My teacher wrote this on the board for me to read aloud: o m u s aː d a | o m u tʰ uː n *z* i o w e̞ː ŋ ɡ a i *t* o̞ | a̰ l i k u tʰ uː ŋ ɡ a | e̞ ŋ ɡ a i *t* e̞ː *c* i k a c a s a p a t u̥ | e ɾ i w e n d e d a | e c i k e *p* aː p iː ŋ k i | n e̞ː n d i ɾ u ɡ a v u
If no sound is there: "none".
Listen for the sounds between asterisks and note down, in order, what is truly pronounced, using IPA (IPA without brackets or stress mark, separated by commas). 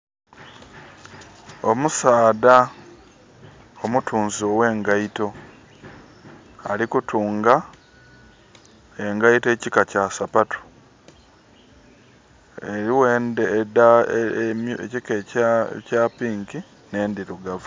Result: z, t, t, c, c